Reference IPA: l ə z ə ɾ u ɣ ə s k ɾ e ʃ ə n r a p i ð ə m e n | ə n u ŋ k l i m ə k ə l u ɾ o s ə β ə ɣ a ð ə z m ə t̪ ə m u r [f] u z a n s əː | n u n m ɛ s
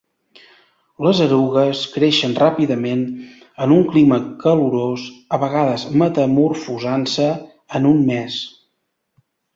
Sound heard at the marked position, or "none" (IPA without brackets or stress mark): f